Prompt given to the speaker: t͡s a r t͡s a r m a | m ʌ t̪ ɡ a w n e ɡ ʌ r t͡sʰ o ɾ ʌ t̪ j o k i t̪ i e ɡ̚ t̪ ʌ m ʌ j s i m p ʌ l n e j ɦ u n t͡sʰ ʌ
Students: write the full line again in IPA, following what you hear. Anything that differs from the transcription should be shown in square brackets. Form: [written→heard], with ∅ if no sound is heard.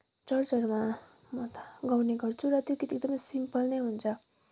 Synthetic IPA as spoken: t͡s [a→ʌ] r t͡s [a→ʌ] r m a | m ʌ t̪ ɡ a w n e ɡ ʌ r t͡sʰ [o→u] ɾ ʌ t̪ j o k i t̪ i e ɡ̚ [t̪→d̪] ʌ m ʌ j s i m p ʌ l n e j ɦ u n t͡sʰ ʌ

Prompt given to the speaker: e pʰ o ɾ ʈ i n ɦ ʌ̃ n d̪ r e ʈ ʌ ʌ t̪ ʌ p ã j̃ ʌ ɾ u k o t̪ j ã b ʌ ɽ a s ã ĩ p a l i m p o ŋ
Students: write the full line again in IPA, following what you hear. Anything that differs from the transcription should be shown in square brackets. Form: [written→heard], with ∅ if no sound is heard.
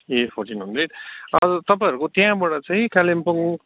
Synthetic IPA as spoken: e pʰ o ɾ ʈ i n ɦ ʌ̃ n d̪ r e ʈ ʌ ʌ t̪ ʌ p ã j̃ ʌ ɾ u k o t̪ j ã b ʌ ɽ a [s→t͡s] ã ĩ [p→k] a l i m p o ŋ

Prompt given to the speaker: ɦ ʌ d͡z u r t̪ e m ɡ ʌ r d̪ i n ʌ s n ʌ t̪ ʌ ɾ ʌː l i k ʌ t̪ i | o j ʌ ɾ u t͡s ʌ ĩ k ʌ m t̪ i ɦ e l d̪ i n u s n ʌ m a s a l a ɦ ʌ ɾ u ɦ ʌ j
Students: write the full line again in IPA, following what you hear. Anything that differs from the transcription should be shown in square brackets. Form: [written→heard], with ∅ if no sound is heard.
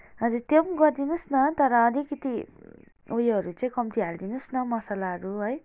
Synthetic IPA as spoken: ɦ ʌ d͡z u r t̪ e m ɡ ʌ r d̪ i n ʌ s n ʌ t̪ ʌ ɾ ʌː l i k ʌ t̪ i | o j ʌ ɾ u t͡s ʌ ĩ k ʌ m t̪ i ɦ [e→a] l d̪ i n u s n ʌ m [a→ʌ] s a l a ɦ ʌ ɾ u ɦ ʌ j

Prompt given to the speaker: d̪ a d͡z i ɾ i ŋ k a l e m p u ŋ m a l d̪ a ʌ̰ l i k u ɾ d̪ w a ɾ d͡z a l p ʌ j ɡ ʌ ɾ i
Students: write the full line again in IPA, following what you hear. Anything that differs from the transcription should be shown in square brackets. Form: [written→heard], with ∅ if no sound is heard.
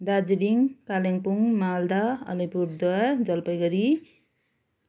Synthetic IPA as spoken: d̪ a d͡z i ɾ i ŋ k a l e [m→ŋ] p u ŋ m a l d̪ a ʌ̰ l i [k→p] u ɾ d̪ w a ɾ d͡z [a→ʌ] l p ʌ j ɡ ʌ ɾ i

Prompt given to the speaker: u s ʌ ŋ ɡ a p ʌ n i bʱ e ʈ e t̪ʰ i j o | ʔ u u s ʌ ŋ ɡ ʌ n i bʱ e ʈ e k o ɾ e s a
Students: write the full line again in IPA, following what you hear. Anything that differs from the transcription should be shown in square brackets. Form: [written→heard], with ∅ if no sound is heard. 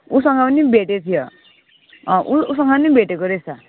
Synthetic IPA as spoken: u s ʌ ŋ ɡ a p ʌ n i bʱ e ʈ e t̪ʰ i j o | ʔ u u s ʌ ŋ ɡ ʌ n i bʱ e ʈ e k o ɾ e s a

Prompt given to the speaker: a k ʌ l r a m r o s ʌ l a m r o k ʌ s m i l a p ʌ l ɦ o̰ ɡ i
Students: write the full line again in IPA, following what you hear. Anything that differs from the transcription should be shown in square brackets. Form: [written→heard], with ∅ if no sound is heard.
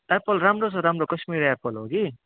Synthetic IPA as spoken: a [k→p] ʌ l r a m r o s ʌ [l→ɾ] a m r o k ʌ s m i [l→ɾ] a p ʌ l ɦ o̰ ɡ i

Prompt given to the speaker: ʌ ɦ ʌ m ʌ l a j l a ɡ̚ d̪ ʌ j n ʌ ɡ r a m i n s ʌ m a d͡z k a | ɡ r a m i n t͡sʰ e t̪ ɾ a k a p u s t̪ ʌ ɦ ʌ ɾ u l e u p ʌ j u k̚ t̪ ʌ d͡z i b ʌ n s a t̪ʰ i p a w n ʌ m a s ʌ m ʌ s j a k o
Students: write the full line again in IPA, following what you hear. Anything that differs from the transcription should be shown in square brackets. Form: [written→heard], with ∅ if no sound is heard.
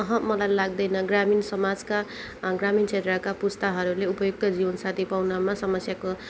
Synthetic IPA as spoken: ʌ ɦ ʌ m ʌ l a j l a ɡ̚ d̪ ʌ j n ʌ ɡ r a m i n s ʌ m a d͡z k a | ɡ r a m i n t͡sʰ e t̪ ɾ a k a p u s t̪ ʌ ɦ ʌ ɾ u l e u p ʌ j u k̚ t̪ ʌ d͡z i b ʌ n s a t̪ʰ i p a w n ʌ m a s ʌ m ʌ s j a k o

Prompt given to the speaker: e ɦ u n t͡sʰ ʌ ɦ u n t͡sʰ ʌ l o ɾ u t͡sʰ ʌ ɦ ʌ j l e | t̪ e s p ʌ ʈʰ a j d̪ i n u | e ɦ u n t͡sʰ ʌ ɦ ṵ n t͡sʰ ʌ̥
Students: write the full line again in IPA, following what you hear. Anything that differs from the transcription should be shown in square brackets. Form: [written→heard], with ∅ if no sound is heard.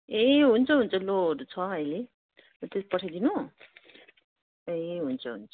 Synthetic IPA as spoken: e ɦ u n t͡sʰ ʌ ɦ u n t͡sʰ ʌ l o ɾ u t͡sʰ ʌ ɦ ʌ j l e | t̪ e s p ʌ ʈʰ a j d̪ i n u | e ɦ u n t͡sʰ ʌ ɦ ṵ n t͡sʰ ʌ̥

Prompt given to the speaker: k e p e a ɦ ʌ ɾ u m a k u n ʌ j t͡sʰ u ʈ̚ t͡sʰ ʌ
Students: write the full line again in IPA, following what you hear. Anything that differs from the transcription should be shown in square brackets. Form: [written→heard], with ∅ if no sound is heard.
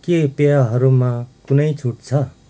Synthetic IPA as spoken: k e p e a ɦ ʌ ɾ u m a k u n ʌ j t͡sʰ u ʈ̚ t͡sʰ ʌ

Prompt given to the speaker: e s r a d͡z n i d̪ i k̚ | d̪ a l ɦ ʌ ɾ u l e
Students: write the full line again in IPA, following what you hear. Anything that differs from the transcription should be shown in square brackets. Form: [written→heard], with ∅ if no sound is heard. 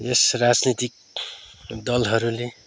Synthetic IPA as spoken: e s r a d͡z n i [d̪→t̪] i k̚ | d̪ [a→ʌ] l ɦ ʌ ɾ u l e

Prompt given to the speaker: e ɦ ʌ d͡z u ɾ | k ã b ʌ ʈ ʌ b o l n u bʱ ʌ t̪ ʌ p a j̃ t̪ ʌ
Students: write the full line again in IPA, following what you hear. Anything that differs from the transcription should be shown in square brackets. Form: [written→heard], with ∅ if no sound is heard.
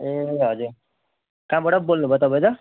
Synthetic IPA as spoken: e ɦ ʌ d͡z u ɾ | k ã b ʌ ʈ ʌ b o l n u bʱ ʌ t̪ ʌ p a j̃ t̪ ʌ

